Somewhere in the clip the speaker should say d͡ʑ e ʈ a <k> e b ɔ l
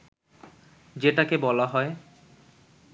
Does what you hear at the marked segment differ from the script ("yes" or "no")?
no